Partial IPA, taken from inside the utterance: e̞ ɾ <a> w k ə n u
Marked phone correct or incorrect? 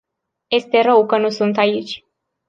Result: incorrect